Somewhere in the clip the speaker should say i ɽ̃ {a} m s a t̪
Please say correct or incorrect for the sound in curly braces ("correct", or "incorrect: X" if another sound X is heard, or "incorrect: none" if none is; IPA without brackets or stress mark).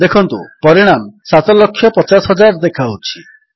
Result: correct